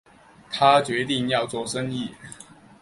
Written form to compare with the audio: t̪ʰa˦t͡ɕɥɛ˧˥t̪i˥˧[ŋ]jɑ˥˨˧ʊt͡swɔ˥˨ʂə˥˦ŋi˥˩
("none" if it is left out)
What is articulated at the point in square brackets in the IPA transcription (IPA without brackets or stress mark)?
ŋ